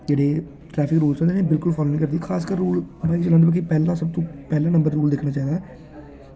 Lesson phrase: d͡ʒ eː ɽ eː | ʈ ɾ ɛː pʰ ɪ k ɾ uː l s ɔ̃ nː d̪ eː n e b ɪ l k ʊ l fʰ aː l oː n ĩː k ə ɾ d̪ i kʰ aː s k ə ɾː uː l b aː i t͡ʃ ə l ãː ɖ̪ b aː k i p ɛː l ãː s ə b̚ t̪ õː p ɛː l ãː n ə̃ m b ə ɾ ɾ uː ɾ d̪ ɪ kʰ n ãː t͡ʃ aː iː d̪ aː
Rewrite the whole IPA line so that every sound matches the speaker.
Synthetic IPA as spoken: d͡ʒ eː ɽ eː | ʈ ɾ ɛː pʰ ɪ k ɾ uː l s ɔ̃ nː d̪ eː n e b ɪ l k ʊ l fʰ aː l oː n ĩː k ə ɾ d̪ i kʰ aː s k ə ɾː uː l b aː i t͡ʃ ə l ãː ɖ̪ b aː k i p ɛː l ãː s ə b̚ t̪ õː p ɛː l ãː n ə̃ m b ə ɾ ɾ uː l d̪ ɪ kʰ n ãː t͡ʃ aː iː d̪ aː